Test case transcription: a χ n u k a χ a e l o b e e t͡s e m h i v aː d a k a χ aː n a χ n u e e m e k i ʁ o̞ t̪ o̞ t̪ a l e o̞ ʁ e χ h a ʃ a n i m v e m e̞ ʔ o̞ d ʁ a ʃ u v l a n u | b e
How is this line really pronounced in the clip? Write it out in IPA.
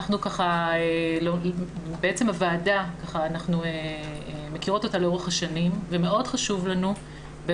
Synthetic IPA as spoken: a χ n u k a χ a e l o b e e t͡s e m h a v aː d a k a χ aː n a χ n u e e m e k i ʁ o̞ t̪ o̞ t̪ a l e o̞ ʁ e χ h a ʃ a n i m v e m e̞ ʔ o̞ d χ a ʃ u v l a n u | b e

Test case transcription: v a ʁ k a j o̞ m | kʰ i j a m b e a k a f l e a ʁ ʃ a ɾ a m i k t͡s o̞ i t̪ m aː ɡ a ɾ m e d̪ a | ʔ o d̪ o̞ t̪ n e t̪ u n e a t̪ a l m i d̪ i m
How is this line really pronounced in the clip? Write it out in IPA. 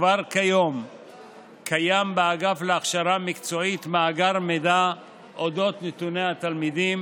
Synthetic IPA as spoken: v a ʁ k a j o̞ m | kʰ a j a m b e a ɡ a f l e a χ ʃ a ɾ a m i k t͡s o̞ i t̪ m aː ɡ a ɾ m e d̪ a | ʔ o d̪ o̞ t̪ n e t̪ u n e a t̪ a l m i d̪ i m

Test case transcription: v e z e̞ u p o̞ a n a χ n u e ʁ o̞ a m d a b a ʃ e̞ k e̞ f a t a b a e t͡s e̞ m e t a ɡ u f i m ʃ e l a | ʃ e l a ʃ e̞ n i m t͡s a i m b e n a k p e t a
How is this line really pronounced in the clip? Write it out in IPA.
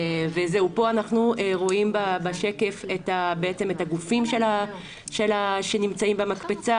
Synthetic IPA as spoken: v e z e̞ u p o̞ a n a χ n u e ʁ o̞ i m b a b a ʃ e̞ k e̞ f e t a b e e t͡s e̞ m e t a ɡ u f i m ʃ e l a | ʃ e l a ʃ e̞ n i m t͡s a i m b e m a k p e t͡s a

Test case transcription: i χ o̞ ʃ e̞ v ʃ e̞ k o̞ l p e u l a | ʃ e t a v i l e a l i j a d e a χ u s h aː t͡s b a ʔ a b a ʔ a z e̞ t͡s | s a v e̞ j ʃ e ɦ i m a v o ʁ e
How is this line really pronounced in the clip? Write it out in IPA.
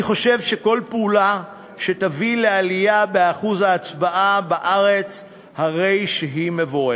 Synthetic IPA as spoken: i χ o̞ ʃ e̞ v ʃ e̞ k o̞ l p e u l a | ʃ e t a v i l e a l i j a b e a χ u z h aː t͡s b a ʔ a b a ʔ a ʁ e̞ t͡s | h a ʁ e̞ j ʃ e ɦ i m e v o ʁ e

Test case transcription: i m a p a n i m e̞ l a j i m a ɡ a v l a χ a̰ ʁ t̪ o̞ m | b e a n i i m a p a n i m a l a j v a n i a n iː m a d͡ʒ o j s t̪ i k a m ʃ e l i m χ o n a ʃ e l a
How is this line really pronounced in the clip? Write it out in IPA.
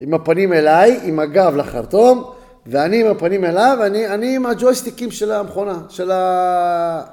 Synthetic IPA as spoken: i m a p a n i m e̞ l a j i m a ɡ a v l a χ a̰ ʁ t̪ o̞ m | v e a n i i m a p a n i m e l a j v a n i a n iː m a d͡ʒ o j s t̪ i k i m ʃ e l a m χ o n a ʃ e l a

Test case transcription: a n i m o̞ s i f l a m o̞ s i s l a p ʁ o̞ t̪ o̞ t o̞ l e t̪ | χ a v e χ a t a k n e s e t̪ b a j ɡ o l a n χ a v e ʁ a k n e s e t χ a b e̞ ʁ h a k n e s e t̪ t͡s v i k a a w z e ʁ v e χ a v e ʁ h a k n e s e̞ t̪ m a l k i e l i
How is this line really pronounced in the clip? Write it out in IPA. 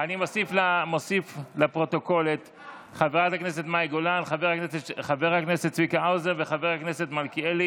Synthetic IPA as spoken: a n i m o̞ s i f l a m o̞ s i f l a p ʁ o̞ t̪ o̞ k o̞ l e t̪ | χ a v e ʁ a t a k n e s e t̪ m a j ɡ o l a n χ a v e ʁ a k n e s e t χ a v e̞ ʁ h a k n e s e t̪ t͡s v i k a a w z e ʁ v e χ a v e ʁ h a k n e s e̞ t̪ m a l k i e l i

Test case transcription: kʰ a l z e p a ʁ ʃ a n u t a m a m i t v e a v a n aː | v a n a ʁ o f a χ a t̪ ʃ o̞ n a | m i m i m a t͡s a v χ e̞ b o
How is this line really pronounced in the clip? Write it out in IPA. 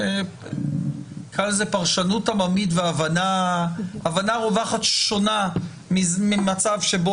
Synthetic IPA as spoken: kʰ a l z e p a ʁ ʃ a n u t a m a m i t v e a v a n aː | v a n a ʁ o v a χ a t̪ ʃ o̞ n a | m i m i m a t͡s a v ʃ e̞ b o

